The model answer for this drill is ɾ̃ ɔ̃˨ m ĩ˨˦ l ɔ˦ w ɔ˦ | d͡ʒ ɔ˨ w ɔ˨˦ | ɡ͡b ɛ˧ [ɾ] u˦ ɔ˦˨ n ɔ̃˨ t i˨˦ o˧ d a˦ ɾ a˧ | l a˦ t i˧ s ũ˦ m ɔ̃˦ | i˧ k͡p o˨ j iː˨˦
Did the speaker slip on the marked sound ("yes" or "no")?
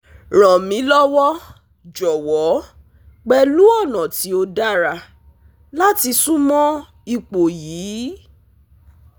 yes